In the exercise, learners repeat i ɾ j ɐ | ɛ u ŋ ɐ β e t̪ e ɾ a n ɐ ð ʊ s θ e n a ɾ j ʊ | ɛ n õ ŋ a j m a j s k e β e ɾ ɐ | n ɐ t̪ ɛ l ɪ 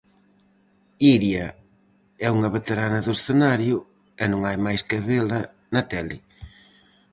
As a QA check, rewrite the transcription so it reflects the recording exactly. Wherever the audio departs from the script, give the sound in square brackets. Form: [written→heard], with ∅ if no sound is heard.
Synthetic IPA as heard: i ɾ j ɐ | ɛ u ŋ ɐ β e t̪ e ɾ a n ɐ ð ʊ s θ e n a ɾ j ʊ | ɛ n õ ŋ a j m a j s k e β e [ɾ→l] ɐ | n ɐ t̪ ɛ l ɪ